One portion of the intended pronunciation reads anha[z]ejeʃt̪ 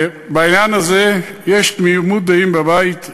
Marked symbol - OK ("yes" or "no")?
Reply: yes